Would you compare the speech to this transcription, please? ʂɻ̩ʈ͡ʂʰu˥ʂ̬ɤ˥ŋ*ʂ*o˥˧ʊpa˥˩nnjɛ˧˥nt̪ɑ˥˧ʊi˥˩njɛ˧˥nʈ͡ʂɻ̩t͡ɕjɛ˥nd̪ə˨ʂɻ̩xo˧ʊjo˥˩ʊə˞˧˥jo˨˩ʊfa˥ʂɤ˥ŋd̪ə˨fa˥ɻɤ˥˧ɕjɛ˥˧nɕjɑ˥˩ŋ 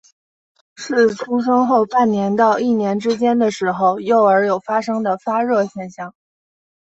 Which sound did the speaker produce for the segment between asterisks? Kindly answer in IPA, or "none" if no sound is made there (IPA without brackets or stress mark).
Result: x